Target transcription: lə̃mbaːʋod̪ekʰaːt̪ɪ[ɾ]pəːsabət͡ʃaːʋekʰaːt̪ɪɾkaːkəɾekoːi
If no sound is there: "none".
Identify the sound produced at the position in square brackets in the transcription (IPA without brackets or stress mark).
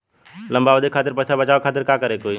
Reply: ɾ